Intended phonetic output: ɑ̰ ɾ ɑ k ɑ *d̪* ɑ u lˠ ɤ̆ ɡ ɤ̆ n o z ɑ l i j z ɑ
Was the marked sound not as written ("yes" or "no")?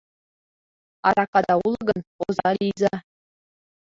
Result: no